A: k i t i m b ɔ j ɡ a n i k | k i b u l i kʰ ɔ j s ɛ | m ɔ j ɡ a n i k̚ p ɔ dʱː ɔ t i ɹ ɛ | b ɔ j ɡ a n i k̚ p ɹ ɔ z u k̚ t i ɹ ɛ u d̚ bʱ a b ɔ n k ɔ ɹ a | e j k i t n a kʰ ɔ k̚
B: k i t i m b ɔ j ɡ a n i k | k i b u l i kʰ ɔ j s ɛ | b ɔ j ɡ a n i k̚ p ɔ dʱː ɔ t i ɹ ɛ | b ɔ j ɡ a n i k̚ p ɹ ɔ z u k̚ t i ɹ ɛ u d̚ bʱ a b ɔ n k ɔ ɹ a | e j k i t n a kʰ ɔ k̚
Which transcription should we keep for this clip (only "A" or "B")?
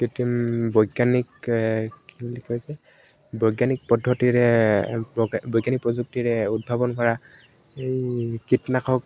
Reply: B